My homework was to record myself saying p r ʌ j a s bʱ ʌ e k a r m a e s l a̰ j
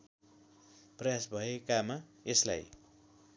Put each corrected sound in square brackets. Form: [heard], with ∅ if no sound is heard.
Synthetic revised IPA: p r ʌ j a s bʱ ʌ e k a [∅] m a e s l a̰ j

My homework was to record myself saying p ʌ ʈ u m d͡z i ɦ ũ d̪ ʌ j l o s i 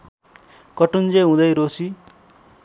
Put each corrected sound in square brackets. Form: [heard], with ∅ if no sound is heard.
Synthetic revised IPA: [k] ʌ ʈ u [n] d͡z [e] ɦ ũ d̪ ʌ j [ɾ] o s i

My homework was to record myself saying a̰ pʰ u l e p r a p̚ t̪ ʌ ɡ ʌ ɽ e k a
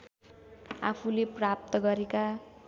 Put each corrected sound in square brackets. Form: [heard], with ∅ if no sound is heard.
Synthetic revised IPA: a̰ pʰ u l e p r a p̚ t̪ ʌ ɡ ʌ [ɾ] e k a

